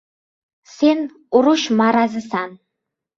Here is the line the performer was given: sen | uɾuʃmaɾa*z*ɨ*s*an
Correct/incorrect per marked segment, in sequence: correct, correct

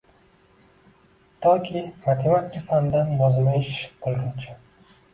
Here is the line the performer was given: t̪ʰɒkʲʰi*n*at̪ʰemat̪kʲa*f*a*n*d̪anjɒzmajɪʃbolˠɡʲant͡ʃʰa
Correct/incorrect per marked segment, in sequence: incorrect, correct, correct

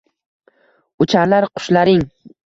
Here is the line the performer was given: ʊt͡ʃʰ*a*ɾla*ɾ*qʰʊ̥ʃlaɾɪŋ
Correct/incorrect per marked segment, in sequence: correct, correct

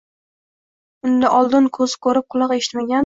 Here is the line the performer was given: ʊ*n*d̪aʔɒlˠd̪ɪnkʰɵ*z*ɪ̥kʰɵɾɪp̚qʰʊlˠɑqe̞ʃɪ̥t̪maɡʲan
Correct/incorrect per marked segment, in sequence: correct, correct

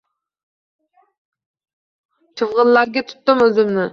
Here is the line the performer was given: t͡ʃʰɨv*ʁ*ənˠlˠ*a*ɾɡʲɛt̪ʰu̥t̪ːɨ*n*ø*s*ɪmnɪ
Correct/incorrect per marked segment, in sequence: correct, incorrect, incorrect, incorrect

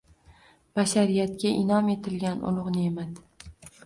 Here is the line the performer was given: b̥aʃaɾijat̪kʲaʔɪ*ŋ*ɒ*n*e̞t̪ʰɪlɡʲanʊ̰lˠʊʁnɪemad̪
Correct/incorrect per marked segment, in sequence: incorrect, incorrect

